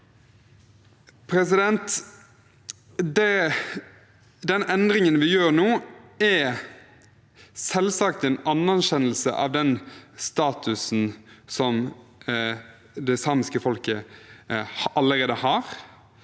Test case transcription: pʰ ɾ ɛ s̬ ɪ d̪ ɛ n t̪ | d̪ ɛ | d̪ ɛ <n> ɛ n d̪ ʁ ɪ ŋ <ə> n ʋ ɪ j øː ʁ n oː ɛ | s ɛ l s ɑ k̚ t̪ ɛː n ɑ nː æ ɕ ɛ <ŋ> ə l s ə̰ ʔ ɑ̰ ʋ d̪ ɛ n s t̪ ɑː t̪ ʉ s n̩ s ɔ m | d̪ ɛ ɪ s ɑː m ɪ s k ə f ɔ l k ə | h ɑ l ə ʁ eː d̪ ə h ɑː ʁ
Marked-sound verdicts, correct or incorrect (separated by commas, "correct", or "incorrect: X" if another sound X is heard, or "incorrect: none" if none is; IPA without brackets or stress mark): correct, correct, incorrect: n